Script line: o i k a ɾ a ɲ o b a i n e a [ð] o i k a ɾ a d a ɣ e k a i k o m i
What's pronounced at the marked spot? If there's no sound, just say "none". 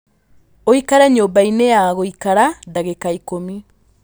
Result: ɣ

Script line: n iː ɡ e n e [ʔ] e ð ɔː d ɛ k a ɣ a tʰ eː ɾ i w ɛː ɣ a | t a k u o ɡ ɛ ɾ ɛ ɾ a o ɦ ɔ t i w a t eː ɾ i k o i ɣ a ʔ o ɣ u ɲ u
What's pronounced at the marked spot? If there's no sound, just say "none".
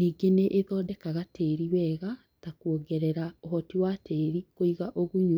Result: ʔ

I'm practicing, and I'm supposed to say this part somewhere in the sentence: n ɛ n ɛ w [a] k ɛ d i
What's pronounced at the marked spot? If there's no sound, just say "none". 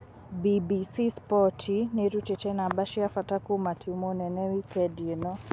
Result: i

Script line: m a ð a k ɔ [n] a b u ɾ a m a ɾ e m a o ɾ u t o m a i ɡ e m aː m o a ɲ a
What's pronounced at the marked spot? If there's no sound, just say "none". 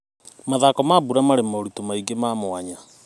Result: m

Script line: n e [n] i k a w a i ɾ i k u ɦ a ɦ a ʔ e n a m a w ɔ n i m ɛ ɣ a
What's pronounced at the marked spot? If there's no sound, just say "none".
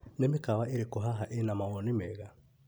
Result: m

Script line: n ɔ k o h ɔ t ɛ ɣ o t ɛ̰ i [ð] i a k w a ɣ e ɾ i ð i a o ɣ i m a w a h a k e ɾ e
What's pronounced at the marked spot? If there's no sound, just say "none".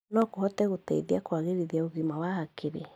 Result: ð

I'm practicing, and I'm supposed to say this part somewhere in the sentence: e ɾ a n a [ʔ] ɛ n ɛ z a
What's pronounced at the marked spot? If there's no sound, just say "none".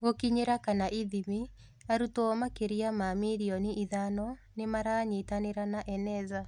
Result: ʔ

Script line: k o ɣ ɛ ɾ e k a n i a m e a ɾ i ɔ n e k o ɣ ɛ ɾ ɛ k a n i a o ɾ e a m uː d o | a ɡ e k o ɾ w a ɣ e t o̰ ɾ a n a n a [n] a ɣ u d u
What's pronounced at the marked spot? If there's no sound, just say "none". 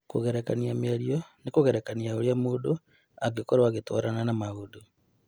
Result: m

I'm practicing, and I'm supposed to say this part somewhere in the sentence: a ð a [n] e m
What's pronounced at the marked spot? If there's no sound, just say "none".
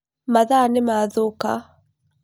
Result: n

